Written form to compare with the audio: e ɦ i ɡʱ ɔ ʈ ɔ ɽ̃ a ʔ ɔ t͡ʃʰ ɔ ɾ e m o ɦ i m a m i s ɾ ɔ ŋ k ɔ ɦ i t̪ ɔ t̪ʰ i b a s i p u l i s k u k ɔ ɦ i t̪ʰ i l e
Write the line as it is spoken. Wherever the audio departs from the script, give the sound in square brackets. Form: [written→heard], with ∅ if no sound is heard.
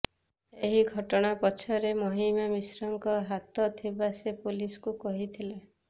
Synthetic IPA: e ɦ i ɡʱ ɔ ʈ ɔ ɽ̃ a [ʔ→p] ɔ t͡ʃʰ ɔ ɾ e m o ɦ i m a m i s ɾ ɔ ŋ k ɔ ɦ [i→a] t̪ ɔ t̪ʰ i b a s [i→e] p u l i s k u k ɔ ɦ i t̪ʰ i l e